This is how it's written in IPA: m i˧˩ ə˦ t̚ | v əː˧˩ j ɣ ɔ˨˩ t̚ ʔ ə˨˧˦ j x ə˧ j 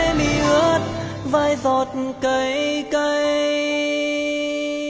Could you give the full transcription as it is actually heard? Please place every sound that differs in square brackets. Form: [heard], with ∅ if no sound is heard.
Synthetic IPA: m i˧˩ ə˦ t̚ | v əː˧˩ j [z] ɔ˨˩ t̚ [k] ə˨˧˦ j [k] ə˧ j